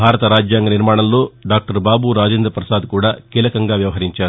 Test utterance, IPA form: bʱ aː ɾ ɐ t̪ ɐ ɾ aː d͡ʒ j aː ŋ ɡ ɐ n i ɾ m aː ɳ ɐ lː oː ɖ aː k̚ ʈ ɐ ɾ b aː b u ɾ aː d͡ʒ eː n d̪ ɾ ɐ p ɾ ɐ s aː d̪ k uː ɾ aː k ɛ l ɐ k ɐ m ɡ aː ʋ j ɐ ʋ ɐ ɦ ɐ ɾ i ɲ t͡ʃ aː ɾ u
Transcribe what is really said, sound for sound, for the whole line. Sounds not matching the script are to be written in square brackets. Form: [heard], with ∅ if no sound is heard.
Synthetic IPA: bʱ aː ɾ ɐ t̪ ɐ ɾ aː d͡ʒ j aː ŋ ɡ ɐ n i ɾ m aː ɳ ɐ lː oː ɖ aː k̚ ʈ ɐ ɾ b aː b u ɾ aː d͡ʒ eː n d̪ ɾ ɐ p ɾ ɐ s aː d̪ k uː [ɽ] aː k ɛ l ɐ k ɐ [ŋ] ɡ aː ʋ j ɐ ʋ ɐ ɦ ɐ ɾ i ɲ t͡ʃ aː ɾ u